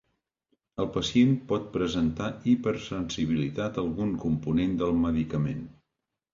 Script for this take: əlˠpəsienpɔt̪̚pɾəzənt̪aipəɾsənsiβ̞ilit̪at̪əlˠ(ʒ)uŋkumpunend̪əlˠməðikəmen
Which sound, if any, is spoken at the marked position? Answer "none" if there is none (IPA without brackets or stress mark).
ɣ